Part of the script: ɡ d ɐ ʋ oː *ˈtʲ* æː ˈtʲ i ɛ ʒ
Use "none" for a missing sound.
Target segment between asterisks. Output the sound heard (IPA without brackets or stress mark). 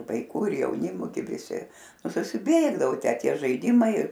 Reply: tʲ